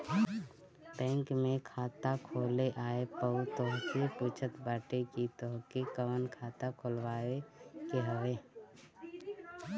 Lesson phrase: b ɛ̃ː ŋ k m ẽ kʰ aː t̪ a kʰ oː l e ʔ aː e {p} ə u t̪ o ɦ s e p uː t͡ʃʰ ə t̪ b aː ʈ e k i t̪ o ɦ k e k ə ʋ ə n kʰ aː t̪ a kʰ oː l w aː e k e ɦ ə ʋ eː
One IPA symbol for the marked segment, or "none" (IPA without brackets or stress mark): p